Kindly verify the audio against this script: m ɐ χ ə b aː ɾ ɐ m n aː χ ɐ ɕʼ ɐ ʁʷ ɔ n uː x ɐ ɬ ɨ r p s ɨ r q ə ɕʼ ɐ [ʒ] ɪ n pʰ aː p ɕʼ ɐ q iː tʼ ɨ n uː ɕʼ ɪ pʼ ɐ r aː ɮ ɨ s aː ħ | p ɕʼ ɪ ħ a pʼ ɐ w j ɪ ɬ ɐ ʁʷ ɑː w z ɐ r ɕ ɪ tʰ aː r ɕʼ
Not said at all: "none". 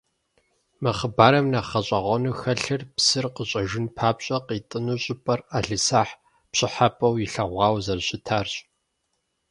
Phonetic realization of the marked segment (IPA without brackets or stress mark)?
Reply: ʒ